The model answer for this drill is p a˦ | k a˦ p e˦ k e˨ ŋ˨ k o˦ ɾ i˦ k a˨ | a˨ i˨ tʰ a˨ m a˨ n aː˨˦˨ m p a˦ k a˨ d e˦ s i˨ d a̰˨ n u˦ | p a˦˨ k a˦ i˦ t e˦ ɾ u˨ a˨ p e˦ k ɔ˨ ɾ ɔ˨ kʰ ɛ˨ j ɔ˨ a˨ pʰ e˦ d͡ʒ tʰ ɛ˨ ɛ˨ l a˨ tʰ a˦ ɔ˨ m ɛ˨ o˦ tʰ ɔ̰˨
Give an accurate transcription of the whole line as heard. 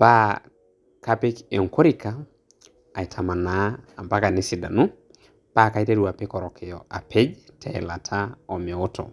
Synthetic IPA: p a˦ | k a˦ p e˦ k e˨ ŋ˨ k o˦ ɾ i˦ k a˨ | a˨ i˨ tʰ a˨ m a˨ n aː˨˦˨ m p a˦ k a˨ n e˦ s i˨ d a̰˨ n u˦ | p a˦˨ k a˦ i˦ t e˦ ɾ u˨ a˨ p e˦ k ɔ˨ ɾ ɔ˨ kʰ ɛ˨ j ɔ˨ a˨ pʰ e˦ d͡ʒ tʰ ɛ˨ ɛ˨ l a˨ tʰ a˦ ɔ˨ m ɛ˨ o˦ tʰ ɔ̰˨